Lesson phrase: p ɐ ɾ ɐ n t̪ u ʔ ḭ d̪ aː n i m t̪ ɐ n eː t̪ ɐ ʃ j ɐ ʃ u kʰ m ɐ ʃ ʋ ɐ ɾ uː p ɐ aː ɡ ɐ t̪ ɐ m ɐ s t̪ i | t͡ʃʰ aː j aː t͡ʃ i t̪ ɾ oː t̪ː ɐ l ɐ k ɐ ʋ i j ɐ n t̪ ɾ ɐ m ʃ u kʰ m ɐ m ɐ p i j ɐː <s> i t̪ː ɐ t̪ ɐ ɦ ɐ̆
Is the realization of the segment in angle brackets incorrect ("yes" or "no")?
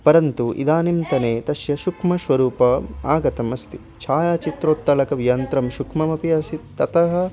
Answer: no